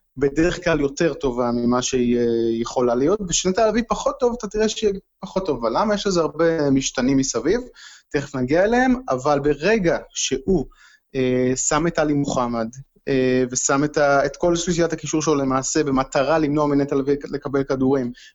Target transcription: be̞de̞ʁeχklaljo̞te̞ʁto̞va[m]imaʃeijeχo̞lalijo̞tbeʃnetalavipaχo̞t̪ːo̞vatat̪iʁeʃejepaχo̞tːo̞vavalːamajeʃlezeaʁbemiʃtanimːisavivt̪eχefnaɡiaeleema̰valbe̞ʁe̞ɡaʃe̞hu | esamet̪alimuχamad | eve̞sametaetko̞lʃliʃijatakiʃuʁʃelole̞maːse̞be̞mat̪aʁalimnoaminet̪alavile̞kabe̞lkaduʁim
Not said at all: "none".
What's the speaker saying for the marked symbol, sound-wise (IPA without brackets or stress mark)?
m